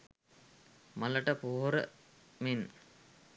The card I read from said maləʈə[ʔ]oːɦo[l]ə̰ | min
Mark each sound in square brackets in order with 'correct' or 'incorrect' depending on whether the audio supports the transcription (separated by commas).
incorrect, incorrect